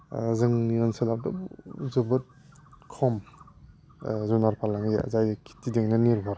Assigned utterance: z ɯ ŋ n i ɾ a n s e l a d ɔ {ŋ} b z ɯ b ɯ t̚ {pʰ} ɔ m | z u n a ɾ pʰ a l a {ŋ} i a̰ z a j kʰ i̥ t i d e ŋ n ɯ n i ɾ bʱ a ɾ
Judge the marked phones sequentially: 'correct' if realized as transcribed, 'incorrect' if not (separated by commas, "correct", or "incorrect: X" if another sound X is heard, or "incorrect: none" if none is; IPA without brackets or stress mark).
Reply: incorrect: none, incorrect: kʰ, correct